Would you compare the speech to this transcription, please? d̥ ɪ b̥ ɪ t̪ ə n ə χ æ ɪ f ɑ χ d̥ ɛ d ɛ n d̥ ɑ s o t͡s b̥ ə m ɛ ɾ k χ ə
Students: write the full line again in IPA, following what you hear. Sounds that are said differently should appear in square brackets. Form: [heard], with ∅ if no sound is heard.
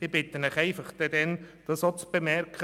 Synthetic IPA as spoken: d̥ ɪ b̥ ɪ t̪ ə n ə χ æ ɪ f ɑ χ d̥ ɛ d ɛ n d̥ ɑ s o t͡s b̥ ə m ɛ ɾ k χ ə